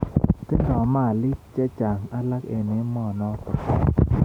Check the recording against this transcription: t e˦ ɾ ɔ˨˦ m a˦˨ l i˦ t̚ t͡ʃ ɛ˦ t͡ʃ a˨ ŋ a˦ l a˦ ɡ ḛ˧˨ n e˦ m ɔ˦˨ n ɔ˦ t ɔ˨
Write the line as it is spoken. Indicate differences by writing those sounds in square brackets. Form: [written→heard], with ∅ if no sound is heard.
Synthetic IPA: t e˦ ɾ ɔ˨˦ m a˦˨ l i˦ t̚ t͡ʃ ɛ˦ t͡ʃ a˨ ŋ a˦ l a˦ [ɡ→k] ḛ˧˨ n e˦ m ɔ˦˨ n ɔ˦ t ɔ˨